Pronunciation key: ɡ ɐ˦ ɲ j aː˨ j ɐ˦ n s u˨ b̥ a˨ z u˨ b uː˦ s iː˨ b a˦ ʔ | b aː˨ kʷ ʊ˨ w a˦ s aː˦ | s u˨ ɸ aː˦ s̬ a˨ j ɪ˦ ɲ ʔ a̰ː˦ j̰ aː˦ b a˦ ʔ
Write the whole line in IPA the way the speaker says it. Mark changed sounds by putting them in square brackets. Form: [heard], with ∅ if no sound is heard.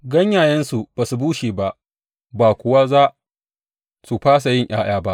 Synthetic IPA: ɡ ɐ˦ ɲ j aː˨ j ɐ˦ n s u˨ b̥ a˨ [s] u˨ b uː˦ [ʃ] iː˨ b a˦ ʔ | b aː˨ kʷ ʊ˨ w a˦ [z] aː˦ | s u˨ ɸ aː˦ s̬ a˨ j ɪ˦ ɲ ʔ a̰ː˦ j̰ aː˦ b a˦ ʔ